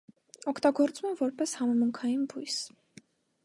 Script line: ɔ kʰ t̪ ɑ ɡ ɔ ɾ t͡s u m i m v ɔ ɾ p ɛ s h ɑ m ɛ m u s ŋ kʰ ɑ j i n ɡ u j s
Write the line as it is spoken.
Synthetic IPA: ɔ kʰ t̪ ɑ ɡ ɔ ɾ t͡s u m ɛ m v ɔ ɾ p ɛ s h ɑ m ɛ m u ŋ kʰ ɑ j i n b u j s